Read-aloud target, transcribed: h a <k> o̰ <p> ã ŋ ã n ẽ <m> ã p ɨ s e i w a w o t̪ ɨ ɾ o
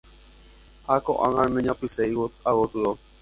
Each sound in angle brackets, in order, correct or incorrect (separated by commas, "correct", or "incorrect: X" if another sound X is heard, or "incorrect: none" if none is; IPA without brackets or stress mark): correct, incorrect: ʔ, incorrect: ɲ